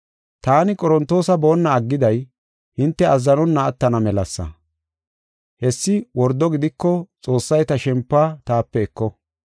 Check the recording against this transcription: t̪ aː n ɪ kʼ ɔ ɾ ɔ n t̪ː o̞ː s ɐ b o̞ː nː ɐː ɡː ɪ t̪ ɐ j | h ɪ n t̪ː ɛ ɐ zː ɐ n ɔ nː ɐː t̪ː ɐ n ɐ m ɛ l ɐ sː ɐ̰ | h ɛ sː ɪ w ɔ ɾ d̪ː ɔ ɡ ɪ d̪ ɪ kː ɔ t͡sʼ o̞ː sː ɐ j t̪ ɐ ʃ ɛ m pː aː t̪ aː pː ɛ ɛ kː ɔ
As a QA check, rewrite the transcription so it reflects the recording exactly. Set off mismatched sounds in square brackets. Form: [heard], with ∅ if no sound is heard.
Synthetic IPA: t̪ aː n ɪ kʼ ɔ ɾ ɔ n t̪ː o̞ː s ɐ b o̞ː nː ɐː ɡː ɪ [d̪] ɐ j | h ɪ n t̪ː ɛ ɐ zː ɐ n ɔ nː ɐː t̪ː ɐ n ɐ m ɛ l ɐ sː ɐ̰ | h ɛ sː ɪ w ɔ ɾ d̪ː ɔ ɡ ɪ d̪ ɪ kː ɔ t͡sʼ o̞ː sː ɐ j t̪ ɐ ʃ ɛ m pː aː t̪ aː pː ɛ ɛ kː ɔ